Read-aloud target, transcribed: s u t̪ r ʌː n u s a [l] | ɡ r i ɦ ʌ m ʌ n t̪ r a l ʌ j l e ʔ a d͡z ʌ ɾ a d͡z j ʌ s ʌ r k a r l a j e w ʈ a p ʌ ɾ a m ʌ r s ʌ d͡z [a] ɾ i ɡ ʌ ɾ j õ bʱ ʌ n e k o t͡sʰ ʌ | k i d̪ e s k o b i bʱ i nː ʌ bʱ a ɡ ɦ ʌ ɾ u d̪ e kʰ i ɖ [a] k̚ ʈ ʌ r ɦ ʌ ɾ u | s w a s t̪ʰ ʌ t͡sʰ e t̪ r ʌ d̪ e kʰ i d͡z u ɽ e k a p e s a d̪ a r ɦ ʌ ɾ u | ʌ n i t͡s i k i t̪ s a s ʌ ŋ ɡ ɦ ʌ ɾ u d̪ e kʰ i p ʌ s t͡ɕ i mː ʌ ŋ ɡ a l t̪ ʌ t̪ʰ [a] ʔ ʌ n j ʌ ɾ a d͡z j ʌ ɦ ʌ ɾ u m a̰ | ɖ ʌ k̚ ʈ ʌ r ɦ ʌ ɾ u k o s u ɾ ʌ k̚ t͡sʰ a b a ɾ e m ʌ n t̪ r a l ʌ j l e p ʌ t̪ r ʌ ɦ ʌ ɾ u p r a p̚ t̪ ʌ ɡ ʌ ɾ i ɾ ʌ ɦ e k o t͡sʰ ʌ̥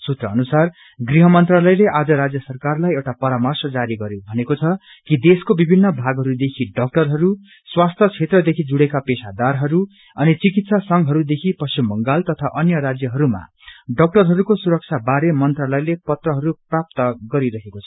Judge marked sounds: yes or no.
no, yes, no, yes

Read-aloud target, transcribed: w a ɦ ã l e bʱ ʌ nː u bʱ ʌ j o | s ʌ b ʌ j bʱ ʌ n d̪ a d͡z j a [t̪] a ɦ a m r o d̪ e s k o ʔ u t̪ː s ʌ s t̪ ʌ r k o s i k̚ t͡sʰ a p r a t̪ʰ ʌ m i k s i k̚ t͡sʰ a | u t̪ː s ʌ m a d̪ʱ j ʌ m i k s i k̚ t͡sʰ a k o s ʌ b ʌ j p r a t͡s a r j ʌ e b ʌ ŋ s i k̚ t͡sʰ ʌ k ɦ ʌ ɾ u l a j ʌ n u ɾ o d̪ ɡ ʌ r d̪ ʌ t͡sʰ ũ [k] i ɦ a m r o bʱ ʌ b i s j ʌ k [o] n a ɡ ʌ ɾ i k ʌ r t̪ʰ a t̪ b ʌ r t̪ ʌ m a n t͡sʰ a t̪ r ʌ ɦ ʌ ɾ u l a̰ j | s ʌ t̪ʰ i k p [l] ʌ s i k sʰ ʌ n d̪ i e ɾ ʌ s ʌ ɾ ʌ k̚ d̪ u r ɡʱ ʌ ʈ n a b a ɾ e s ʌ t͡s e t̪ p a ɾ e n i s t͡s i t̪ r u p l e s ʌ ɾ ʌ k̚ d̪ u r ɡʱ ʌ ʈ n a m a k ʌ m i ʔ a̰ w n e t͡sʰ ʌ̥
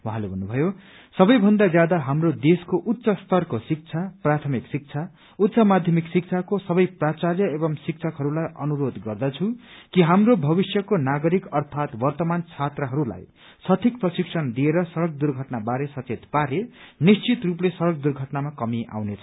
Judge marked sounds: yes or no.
no, yes, yes, no

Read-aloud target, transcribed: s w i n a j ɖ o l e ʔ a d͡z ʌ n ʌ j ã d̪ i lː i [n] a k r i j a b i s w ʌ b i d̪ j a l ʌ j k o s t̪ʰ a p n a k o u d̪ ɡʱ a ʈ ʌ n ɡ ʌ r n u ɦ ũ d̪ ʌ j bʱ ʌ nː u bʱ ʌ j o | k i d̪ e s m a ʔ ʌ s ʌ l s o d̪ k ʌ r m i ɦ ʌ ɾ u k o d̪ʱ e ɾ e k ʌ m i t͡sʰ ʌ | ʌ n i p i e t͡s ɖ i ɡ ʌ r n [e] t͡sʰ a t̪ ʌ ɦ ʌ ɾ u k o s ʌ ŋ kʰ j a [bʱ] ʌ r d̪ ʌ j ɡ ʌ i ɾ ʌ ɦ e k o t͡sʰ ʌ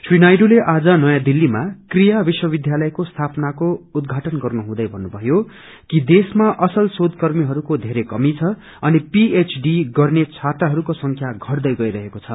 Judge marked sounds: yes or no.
no, yes, no

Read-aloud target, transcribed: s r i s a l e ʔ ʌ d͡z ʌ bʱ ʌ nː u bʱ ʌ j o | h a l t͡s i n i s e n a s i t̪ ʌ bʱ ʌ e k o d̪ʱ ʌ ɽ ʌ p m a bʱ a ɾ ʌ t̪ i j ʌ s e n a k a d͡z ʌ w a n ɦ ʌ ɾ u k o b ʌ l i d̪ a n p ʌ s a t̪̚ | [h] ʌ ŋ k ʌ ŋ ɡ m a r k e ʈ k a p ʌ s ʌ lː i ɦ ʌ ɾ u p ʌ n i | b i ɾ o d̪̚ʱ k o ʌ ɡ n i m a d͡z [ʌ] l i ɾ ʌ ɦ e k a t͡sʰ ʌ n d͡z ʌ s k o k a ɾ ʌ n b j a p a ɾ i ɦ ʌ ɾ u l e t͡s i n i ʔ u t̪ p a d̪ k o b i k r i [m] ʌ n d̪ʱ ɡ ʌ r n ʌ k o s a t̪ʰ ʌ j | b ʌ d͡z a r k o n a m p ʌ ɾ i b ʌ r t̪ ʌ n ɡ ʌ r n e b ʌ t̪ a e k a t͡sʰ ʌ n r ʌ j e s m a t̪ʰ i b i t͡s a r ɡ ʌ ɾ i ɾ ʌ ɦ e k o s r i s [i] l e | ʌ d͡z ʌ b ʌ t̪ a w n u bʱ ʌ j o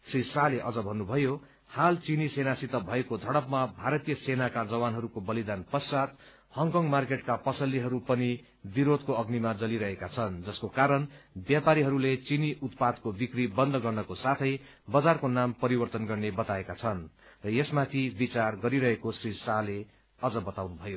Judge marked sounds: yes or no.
yes, yes, no, no

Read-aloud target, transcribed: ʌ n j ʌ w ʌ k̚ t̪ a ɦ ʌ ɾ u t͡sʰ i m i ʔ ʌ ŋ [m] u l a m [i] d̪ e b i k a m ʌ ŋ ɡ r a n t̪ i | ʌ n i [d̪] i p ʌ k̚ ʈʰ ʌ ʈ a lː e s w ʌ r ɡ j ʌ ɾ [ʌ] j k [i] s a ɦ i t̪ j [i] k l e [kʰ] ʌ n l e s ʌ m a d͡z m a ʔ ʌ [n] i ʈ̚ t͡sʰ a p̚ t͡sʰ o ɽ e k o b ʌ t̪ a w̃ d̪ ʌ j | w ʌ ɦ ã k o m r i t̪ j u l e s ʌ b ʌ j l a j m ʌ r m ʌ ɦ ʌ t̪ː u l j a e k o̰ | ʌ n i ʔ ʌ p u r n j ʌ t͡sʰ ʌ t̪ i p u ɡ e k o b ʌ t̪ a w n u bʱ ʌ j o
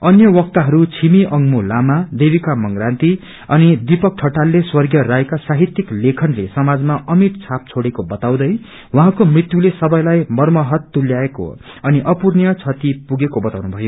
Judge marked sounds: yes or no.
yes, no, yes, no, no, yes, yes, no

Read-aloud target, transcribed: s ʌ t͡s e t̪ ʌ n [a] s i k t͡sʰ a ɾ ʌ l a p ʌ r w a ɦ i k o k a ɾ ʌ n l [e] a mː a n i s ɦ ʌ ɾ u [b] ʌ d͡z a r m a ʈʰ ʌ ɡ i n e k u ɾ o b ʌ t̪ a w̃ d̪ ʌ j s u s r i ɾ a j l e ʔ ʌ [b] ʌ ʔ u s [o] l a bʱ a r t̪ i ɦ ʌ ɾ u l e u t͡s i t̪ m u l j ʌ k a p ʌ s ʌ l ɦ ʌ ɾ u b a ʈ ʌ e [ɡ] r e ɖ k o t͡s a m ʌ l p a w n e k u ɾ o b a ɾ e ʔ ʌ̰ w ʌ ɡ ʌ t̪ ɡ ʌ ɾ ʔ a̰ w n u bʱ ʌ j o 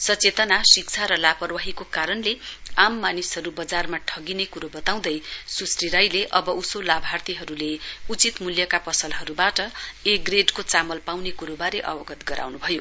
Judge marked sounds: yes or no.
yes, yes, yes, yes, yes, yes

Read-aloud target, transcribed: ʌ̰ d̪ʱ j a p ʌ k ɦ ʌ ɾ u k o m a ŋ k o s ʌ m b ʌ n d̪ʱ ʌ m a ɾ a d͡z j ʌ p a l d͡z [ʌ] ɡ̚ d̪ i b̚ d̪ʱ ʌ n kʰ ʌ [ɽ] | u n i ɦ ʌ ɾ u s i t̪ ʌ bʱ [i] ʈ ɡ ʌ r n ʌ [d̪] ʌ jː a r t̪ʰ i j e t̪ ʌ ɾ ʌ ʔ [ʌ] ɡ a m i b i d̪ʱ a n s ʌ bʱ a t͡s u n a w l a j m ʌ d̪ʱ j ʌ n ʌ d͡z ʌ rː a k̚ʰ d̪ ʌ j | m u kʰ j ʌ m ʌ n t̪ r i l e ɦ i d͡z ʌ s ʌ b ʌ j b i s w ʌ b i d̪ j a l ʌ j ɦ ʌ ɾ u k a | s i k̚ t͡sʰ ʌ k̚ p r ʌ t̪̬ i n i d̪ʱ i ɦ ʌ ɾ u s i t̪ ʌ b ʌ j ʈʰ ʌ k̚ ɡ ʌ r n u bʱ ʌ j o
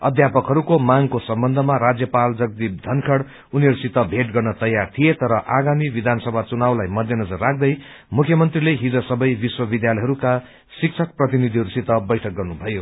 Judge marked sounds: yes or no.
yes, yes, no, no, no

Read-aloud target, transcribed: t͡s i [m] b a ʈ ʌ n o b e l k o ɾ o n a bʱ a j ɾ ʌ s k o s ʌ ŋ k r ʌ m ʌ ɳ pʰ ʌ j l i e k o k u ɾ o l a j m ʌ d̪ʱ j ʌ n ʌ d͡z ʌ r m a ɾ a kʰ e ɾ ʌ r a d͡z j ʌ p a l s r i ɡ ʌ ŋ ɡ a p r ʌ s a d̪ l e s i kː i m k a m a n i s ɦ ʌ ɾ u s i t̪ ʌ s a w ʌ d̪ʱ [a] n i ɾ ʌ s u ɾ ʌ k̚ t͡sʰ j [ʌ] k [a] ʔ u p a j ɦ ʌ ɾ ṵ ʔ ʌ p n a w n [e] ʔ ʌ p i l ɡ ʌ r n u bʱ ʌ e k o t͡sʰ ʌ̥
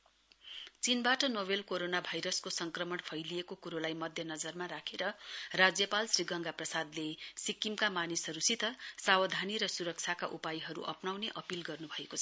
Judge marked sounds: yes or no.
no, yes, no, yes, yes

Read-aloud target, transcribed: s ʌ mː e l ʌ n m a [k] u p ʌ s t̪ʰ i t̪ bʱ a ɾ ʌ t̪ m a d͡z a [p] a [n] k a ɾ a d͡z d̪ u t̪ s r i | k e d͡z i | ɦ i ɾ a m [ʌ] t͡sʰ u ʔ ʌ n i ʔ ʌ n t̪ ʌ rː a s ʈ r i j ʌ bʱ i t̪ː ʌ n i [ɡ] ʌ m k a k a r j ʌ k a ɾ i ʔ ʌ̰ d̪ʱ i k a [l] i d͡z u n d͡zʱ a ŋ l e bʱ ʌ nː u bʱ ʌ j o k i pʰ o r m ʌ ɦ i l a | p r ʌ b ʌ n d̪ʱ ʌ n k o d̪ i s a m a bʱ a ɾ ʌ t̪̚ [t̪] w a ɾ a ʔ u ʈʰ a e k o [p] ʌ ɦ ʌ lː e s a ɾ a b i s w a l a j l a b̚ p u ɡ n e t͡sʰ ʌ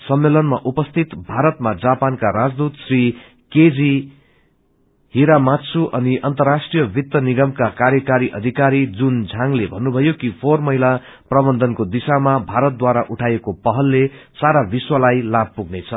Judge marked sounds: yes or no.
no, yes, yes, no, yes, no, no, yes

